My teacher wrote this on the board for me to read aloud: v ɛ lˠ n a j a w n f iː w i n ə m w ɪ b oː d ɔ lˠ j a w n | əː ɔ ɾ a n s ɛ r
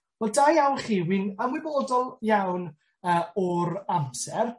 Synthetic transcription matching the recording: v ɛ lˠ d a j a w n χ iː w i n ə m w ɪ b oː d ɔ lˠ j a w n | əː ɔ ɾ a m s ɛ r